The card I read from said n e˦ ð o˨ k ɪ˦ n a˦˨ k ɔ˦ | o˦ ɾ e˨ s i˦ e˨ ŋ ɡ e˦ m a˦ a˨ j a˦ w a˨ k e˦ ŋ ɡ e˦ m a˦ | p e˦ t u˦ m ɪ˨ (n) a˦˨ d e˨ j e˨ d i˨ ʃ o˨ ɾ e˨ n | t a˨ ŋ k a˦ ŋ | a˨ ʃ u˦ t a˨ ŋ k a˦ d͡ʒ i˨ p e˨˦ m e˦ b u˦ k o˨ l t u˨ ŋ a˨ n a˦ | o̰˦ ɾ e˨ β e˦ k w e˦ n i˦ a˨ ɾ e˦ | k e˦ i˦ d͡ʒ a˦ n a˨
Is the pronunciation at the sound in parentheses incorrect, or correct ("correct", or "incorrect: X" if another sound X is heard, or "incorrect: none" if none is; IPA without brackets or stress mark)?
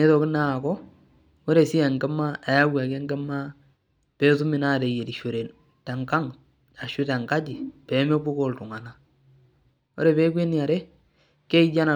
correct